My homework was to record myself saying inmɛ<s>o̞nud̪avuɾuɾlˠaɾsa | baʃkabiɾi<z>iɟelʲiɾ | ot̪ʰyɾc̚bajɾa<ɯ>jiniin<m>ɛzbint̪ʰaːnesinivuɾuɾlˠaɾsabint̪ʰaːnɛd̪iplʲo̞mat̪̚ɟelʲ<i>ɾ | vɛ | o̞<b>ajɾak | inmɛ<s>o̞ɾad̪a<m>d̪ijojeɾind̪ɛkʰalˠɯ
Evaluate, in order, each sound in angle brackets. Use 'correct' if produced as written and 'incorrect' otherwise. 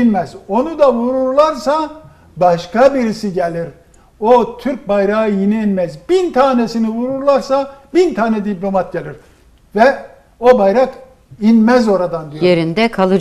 incorrect: z, incorrect: s, correct, correct, correct, correct, incorrect: z, incorrect: n

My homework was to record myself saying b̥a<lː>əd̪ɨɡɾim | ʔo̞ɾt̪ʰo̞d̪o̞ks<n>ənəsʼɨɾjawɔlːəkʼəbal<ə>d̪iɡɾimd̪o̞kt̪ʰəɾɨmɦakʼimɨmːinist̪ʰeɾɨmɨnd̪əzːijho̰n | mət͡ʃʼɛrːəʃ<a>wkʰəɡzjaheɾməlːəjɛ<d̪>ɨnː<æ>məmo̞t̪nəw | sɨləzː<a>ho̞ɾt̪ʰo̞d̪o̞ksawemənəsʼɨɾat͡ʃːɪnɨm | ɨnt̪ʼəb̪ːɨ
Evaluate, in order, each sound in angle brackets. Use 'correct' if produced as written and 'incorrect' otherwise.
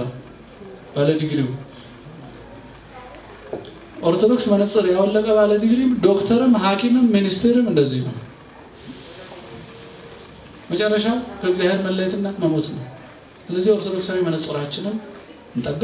incorrect: l, incorrect: m, correct, correct, incorrect: t̪, incorrect: a, incorrect: i

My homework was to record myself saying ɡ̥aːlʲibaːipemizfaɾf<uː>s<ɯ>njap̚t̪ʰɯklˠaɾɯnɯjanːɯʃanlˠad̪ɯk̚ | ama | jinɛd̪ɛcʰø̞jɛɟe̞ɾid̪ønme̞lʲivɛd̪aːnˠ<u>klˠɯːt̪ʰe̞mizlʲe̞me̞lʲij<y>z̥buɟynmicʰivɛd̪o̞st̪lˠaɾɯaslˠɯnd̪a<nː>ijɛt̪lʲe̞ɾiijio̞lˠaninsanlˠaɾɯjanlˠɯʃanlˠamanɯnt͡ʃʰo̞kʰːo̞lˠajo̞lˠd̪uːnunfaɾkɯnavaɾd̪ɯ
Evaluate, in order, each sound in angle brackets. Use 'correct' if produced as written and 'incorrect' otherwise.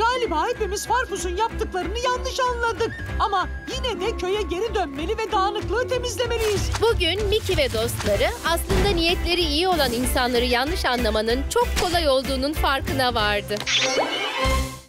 incorrect: u, incorrect: u, incorrect: ɯ, incorrect: i, incorrect: n

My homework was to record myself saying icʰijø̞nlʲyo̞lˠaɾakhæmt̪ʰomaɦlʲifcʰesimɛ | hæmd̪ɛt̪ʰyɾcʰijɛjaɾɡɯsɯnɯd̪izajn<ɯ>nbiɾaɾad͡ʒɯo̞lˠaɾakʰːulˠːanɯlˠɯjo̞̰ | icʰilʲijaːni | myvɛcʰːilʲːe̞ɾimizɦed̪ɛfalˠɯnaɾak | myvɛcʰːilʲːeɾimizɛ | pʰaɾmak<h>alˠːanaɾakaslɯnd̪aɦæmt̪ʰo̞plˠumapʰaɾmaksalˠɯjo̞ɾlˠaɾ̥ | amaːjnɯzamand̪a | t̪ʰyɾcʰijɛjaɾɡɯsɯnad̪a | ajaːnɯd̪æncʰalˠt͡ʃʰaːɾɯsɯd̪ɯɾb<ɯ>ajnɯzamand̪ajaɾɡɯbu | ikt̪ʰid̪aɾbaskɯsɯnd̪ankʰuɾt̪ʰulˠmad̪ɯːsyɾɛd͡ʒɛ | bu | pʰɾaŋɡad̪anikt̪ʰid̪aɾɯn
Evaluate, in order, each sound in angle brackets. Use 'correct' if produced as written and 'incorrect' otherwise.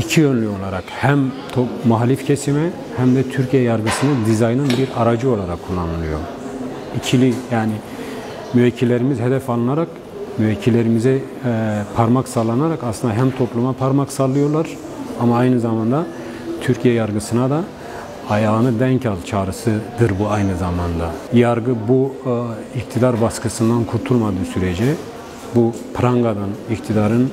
correct, incorrect: s, incorrect: u

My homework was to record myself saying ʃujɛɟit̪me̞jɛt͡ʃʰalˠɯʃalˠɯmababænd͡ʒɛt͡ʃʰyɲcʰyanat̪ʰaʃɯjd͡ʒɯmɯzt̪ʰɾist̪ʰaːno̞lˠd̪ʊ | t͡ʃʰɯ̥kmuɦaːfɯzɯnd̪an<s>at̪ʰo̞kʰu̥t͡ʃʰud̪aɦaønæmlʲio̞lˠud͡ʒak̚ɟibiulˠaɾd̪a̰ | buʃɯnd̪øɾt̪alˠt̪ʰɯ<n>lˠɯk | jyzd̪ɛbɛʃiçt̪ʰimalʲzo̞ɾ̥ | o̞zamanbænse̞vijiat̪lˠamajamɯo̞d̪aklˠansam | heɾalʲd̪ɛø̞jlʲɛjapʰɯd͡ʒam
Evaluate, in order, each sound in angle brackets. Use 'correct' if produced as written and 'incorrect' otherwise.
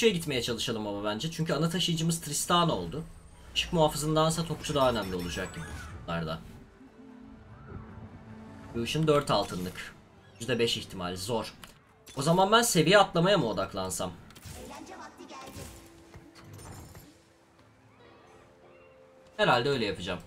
correct, correct

